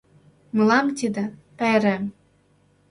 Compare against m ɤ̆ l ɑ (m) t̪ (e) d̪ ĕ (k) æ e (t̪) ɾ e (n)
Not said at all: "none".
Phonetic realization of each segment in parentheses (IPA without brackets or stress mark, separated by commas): m, i, p, none, m